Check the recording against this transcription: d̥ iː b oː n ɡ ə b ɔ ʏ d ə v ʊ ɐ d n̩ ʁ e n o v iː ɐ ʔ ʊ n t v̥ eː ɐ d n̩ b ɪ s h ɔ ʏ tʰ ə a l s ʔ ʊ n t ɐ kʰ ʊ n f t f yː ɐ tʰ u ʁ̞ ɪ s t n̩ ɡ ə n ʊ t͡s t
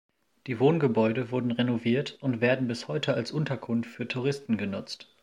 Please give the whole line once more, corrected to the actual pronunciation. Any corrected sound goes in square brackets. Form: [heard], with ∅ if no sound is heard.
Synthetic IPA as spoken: d̥ iː [v] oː n ɡ ə b ɔ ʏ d ə v ʊ ɐ d n̩ ʁ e n o v iː ɐ [t] ʊ n t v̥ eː ɐ d n̩ b ɪ s h ɔ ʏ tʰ ə a l s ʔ ʊ n t ɐ kʰ ʊ n f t f yː ɐ tʰ u ʁ̞ ɪ s t n̩ ɡ ə n ʊ t͡s t

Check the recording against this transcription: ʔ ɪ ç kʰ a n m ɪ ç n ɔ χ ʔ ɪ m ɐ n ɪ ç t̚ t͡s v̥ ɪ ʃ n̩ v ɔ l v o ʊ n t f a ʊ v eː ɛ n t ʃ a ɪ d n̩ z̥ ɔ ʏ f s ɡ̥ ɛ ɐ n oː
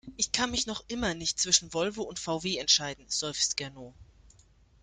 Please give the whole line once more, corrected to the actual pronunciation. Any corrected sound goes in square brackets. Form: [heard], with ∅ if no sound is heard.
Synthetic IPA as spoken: ʔ ɪ ç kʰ a n m ɪ ç n ɔ χ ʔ ɪ m ɐ n ɪ ç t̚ t͡s v̥ ɪ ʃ n̩ v ɔ l v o ʊ n t f a ʊ v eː ɛ n t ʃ a ɪ d n̩ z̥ ɔ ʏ f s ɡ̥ ɛ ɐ n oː

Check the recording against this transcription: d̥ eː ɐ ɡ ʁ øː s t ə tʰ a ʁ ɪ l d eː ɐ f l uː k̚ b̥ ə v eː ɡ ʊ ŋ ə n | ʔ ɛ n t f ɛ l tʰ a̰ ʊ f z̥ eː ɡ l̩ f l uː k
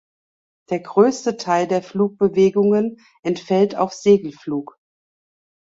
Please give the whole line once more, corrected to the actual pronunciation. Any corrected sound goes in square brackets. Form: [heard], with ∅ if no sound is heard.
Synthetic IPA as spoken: d̥ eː ɐ ɡ ʁ øː s t ə tʰ a [∅] ɪ l d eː ɐ f l uː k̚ b̥ ə v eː ɡ ʊ ŋ ə n | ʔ ɛ n t f ɛ l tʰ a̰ ʊ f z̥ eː ɡ l̩ f l uː k

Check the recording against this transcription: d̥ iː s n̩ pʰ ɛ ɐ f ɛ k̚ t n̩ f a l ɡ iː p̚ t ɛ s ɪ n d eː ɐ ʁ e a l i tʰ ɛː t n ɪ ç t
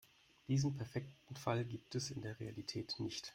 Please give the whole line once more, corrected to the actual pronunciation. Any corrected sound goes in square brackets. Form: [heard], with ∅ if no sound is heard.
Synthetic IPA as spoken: d̥ iː [z] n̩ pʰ ɛ ɐ f ɛ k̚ t n̩ f a l ɡ iː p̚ t ɛ s ɪ n d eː ɐ ʁ e a l i tʰ ɛː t n ɪ ç t

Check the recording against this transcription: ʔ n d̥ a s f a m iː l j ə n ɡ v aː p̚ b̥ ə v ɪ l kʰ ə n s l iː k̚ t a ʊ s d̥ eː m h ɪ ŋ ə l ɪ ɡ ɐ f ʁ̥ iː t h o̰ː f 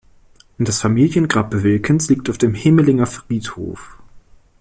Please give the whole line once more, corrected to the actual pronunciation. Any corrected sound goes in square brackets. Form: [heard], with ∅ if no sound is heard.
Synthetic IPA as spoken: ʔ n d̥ a s f a m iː l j ə n ɡ [ʁ] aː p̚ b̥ ə v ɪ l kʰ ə n s l iː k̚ t a ʊ [f] d̥ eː m h ɪ [m] ə l ɪ [ŋ] ɐ f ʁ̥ iː t h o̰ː f

